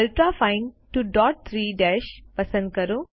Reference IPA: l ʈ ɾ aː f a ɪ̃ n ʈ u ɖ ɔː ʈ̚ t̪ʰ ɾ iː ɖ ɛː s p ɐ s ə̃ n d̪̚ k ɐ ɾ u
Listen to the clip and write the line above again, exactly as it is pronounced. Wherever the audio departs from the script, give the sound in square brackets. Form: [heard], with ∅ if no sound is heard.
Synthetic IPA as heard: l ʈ ɾ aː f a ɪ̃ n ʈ u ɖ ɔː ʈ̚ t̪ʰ ɾ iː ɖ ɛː [ʃ] p ɐ s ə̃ n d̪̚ k ɐ ɾ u